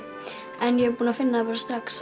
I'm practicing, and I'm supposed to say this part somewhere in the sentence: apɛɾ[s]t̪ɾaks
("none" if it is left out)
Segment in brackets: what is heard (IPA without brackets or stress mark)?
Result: s